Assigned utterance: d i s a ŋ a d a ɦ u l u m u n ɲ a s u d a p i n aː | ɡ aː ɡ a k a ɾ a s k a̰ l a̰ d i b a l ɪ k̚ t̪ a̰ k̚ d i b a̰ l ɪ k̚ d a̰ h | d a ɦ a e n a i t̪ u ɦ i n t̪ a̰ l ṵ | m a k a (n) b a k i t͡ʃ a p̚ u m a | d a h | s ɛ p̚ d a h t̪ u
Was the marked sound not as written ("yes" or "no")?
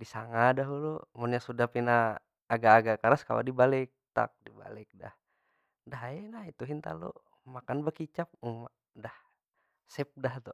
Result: no